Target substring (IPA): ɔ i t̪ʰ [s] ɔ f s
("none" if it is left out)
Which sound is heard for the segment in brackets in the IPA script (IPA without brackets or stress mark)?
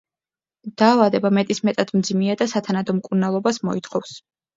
χ